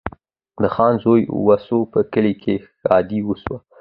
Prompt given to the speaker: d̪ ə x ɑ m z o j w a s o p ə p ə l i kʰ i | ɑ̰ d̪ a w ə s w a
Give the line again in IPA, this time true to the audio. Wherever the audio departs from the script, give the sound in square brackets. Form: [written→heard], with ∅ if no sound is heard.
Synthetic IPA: d̪ ə x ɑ [m→n] z o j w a s o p ə [p→k] ə l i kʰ [i→e] | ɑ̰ d̪ [a→i] w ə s w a